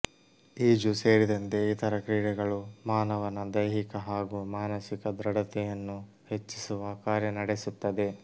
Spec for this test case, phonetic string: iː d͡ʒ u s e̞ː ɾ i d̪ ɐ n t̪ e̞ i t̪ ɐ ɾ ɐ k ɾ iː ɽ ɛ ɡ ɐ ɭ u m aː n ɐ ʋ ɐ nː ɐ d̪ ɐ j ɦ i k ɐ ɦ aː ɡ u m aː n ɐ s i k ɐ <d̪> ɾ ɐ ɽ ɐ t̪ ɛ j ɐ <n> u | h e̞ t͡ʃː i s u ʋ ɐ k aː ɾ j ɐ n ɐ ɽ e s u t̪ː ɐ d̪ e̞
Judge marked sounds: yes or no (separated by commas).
yes, no